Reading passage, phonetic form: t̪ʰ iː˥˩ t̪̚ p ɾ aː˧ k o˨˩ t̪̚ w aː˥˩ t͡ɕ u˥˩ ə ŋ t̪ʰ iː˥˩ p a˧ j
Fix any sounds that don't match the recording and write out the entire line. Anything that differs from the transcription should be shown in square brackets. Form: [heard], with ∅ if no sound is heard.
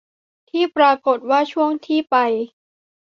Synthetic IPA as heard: t̪ʰ iː˥˩ [∅] p ɾ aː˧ k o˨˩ t̪̚ w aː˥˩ [t͡ɕʰ] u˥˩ ə ŋ t̪ʰ iː˥˩ p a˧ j